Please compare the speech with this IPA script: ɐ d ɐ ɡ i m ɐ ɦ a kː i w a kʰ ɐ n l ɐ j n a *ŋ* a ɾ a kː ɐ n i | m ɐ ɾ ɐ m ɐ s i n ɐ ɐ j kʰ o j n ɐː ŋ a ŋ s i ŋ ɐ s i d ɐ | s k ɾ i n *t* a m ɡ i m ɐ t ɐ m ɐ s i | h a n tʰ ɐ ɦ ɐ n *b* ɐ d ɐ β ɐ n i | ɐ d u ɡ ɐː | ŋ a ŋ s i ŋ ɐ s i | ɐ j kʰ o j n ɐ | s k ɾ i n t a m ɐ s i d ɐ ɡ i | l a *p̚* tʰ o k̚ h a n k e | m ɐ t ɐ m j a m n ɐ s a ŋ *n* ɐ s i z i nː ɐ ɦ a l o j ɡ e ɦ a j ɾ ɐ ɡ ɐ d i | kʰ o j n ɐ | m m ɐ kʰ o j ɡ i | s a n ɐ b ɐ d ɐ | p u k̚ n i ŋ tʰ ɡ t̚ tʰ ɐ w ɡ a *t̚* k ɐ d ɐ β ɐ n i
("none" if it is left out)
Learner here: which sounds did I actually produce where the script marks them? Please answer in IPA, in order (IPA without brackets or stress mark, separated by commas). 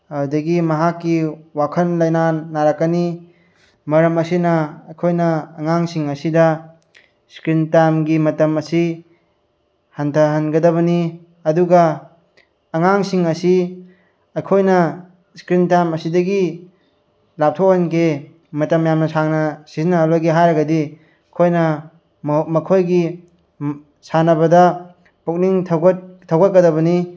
n, t, ɡ, p̚, n, t̚